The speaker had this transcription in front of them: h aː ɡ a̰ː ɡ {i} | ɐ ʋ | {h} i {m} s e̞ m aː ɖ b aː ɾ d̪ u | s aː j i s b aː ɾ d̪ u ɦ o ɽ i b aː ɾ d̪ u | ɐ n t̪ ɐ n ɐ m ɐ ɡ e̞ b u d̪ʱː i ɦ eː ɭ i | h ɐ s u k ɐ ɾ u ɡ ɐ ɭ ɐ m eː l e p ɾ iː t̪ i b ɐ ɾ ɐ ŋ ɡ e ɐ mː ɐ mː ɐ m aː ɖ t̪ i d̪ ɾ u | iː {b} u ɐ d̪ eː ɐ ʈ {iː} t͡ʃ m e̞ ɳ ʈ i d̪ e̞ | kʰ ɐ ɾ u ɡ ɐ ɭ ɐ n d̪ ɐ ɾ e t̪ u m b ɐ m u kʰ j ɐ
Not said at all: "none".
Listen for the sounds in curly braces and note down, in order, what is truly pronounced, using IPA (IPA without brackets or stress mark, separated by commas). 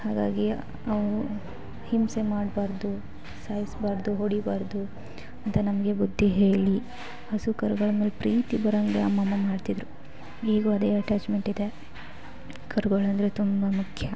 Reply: i, h, m, ɡ, aː